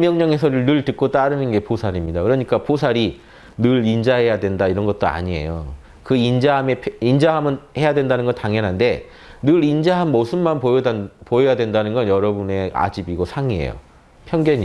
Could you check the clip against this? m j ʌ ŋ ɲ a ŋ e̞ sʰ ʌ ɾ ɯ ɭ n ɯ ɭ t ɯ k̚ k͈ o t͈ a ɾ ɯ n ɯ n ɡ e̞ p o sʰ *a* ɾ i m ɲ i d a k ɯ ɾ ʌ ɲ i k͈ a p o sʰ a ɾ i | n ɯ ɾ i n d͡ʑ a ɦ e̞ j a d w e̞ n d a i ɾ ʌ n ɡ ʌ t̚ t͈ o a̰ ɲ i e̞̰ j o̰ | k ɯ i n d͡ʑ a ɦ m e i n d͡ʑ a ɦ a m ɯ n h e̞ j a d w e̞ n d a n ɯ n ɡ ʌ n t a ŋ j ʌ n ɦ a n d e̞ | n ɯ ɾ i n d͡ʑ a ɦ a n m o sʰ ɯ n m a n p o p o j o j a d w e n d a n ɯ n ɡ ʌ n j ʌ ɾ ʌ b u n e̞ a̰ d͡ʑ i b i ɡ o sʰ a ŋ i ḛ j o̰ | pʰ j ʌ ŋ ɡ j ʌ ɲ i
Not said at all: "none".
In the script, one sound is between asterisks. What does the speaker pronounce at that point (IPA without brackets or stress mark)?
a